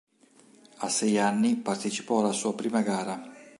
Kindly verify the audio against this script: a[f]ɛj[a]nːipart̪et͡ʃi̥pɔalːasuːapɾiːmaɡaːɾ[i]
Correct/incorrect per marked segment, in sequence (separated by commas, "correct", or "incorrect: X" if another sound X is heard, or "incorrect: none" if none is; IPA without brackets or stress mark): incorrect: s, correct, incorrect: a